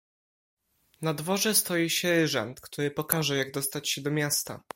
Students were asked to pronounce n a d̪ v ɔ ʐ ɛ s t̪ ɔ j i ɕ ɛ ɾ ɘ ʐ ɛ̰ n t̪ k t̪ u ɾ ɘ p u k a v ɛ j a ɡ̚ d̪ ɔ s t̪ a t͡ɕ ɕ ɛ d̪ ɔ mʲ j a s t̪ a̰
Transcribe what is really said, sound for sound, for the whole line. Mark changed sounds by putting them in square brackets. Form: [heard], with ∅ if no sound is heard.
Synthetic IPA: n a d̪ v ɔ ʐ ɛ s t̪ ɔ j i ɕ ɛ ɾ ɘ ʐ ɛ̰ n t̪ k t̪ u ɾ ɘ p [ɔ] k a [ʐ] ɛ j a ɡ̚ d̪ ɔ s t̪ a t͡ɕ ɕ ɛ d̪ ɔ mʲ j a s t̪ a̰